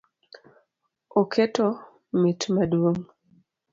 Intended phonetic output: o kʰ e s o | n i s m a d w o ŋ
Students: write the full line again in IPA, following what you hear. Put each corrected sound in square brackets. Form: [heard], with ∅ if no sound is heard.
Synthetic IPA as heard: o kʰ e [t] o | [m] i [t] m a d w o ŋ